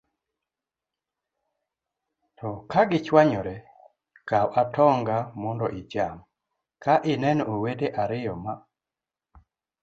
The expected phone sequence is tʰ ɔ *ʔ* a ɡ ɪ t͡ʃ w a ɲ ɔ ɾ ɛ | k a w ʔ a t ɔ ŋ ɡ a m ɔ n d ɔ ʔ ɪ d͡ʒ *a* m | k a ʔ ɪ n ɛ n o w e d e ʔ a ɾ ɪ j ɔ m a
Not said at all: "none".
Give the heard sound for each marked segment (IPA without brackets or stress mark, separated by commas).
k, a